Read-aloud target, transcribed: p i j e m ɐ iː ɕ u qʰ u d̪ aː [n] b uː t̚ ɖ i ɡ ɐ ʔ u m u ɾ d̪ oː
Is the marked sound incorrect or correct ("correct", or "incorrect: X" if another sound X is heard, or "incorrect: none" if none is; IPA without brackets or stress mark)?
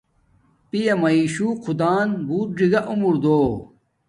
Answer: correct